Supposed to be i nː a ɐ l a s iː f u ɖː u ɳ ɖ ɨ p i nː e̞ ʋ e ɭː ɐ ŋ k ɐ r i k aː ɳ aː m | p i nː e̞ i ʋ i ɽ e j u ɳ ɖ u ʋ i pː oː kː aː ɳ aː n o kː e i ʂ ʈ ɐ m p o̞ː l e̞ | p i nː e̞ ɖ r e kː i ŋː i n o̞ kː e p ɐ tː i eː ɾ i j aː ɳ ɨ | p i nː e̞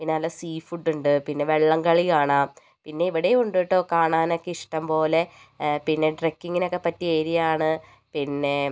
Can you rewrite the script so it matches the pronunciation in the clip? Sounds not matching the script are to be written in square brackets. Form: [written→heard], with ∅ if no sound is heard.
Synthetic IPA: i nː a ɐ l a s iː f u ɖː u ɳ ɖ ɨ p i nː e̞ ʋ e ɭː ɐ ŋ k ɐ [r→ɭ] i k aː ɳ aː m | p i nː e̞ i ʋ i ɽ e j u ɳ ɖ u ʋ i [pː→ʈː] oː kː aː ɳ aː n o kː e i ʂ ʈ ɐ m p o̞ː l e̞ | p i nː e̞ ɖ r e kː i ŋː i n o̞ kː e p ɐ tː i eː ɾ i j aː ɳ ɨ | p i nː e̞